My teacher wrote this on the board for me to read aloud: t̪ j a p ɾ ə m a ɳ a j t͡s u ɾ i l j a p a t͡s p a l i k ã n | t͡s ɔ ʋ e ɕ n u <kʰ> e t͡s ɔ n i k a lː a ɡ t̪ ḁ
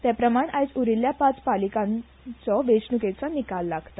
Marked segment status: incorrect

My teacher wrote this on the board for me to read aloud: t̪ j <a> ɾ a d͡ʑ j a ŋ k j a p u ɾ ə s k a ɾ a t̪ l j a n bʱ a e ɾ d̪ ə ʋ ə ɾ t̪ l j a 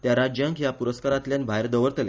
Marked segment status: correct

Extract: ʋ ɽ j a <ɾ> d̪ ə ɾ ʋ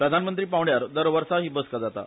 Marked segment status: correct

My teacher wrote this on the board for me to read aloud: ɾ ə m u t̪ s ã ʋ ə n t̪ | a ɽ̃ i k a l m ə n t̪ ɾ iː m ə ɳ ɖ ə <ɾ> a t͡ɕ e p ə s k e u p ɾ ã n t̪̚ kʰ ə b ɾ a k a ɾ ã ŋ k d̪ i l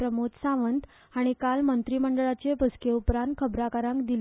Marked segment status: incorrect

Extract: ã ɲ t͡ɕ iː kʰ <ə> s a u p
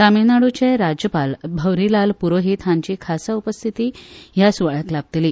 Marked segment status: incorrect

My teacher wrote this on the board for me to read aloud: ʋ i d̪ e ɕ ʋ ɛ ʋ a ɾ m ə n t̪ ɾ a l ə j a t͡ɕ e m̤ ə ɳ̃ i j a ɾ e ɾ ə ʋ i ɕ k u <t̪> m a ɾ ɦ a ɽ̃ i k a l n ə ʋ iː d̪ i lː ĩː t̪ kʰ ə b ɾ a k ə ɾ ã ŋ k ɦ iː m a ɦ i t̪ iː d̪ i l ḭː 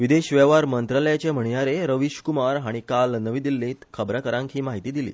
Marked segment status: incorrect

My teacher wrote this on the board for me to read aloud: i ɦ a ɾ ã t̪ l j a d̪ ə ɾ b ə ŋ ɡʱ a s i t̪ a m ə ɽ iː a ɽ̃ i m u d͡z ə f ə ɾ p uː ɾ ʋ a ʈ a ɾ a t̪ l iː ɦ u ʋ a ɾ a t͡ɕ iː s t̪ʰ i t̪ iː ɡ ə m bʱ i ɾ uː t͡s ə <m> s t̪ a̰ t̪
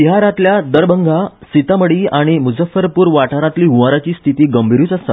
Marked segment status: incorrect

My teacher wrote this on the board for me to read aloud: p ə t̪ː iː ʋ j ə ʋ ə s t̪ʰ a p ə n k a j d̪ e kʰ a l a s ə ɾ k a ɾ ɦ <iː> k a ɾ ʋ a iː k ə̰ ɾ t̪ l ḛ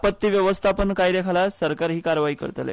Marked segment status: correct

